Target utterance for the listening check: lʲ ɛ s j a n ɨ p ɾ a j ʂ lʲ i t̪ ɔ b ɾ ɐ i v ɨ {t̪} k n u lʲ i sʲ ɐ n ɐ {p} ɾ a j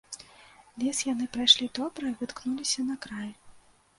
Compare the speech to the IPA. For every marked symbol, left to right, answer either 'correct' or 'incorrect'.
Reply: correct, incorrect: k

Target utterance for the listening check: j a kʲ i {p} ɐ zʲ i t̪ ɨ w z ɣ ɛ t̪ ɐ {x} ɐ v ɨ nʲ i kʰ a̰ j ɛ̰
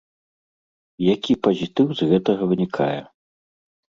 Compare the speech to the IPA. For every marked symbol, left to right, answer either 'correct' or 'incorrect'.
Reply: correct, incorrect: ɣ

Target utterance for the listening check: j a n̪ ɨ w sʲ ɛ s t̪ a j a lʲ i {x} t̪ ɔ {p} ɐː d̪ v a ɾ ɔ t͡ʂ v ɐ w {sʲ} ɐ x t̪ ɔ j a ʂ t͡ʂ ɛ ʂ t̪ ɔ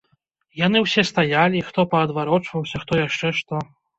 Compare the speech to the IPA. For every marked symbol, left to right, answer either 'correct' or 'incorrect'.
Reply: correct, correct, correct

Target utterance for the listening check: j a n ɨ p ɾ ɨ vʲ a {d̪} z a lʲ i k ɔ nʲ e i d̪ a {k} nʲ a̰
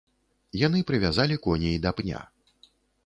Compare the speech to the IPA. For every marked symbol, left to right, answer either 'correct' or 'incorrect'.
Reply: incorrect: none, incorrect: p

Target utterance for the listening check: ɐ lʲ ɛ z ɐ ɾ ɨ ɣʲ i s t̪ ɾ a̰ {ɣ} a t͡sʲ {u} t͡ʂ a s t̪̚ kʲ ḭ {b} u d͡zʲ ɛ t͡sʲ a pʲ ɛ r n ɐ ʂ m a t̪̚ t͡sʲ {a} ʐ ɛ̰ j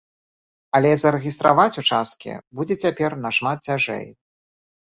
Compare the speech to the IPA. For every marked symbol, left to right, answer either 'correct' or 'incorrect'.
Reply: incorrect: v, correct, correct, correct

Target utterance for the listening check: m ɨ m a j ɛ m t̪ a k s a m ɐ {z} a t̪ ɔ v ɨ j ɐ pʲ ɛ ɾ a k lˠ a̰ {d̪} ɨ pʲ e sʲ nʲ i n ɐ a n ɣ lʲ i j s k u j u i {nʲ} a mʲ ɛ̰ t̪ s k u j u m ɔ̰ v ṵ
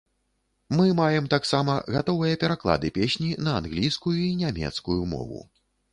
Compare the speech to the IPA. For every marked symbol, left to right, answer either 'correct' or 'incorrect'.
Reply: incorrect: ɣ, correct, correct

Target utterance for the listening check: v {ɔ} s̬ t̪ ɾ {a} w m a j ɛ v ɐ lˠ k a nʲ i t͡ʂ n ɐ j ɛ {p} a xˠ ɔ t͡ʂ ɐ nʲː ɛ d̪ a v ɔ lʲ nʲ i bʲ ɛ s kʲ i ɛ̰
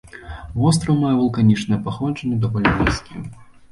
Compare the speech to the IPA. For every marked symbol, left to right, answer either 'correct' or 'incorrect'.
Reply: correct, incorrect: ɐ, correct

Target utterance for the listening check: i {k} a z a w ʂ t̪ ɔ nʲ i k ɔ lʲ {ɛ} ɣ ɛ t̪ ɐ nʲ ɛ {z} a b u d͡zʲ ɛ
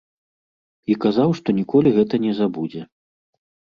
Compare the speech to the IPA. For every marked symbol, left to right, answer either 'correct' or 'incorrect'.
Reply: correct, incorrect: i, correct

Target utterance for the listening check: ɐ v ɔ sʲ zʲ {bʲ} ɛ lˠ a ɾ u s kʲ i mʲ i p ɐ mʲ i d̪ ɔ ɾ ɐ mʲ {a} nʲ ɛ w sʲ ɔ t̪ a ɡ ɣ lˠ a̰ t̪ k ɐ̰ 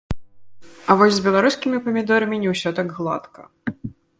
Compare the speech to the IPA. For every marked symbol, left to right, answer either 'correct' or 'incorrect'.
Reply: correct, incorrect: i

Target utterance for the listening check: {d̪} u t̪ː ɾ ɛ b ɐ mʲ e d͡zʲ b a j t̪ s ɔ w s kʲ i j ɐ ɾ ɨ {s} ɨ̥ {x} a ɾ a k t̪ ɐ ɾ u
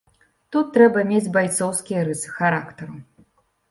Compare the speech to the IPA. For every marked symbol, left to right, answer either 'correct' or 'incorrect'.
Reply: incorrect: t̪, correct, correct

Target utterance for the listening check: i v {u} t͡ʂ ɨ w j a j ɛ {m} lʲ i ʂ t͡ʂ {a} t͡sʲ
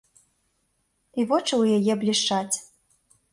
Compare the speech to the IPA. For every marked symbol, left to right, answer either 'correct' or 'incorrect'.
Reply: incorrect: ɔ, incorrect: b, correct

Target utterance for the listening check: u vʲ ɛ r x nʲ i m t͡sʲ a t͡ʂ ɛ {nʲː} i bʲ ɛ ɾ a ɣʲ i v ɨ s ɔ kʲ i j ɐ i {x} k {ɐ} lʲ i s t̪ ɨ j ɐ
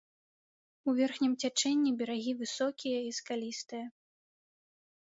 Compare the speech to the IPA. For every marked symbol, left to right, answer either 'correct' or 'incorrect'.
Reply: correct, incorrect: s, incorrect: a

